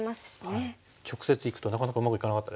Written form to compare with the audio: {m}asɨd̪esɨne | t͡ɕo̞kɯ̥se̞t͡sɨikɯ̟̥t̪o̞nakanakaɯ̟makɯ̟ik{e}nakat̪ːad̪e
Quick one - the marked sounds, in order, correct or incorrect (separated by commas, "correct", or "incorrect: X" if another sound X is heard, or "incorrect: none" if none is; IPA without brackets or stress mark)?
correct, incorrect: a